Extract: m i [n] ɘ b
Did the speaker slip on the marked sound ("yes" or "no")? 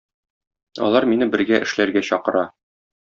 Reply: no